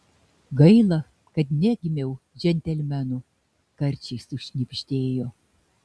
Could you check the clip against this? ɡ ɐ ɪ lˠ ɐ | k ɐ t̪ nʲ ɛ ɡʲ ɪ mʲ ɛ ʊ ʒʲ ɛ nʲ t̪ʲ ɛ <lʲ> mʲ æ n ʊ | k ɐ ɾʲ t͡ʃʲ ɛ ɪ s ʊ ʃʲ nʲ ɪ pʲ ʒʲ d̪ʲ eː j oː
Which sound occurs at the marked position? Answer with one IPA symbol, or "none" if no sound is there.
lʲ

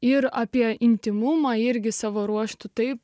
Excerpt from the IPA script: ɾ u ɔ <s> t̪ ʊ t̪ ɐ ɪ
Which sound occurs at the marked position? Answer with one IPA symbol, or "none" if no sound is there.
ʃ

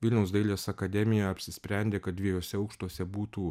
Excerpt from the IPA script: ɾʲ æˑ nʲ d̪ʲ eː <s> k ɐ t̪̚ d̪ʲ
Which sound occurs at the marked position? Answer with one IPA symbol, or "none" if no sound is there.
none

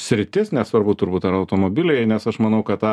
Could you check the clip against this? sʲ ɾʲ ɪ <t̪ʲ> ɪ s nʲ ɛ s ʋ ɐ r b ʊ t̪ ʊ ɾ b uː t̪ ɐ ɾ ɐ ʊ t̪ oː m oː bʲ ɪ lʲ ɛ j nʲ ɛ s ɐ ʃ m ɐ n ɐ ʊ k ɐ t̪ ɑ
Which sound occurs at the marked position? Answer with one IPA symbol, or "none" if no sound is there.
t̪ʲ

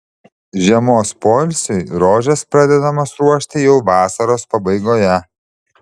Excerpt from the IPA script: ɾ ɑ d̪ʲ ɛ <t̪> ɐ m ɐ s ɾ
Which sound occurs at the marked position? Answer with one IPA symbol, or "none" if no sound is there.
d̪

